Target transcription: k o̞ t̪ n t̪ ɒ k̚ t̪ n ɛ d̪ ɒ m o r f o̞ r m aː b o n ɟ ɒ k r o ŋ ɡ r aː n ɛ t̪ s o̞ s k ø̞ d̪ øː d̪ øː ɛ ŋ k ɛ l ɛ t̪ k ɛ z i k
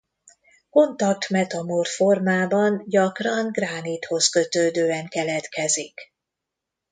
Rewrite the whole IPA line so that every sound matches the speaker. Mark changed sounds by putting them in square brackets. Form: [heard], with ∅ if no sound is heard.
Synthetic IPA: k o̞ [∅] n t̪ ɒ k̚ t̪ [m] ɛ [t̪] ɒ m o r f o̞ r m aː b [ɒ] n ɟ ɒ k r [ɒ] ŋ ɡ r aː n [i] t̪ [h] o̞ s k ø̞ [t̪] øː d̪ øː ɛ ŋ k ɛ l ɛ t̪ k ɛ z i k